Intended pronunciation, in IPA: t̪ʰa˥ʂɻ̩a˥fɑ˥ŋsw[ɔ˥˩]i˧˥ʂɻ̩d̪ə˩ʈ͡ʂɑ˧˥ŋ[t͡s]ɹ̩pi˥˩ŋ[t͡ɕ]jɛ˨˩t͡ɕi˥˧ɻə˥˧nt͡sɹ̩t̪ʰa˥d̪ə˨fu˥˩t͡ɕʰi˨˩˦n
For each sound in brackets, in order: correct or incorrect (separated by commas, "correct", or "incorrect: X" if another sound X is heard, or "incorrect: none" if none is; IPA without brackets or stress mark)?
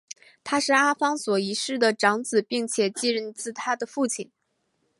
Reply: incorrect: ɔ˨˩, correct, incorrect: t͡ɕʰ